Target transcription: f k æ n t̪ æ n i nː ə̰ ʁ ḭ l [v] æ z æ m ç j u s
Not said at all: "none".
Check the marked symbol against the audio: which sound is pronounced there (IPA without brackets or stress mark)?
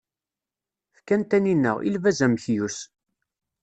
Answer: v